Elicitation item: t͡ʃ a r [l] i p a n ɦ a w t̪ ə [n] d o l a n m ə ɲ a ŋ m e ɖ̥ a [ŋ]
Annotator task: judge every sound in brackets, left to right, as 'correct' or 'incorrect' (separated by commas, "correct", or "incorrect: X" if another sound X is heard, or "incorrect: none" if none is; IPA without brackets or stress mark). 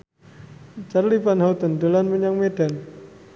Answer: correct, correct, incorrect: n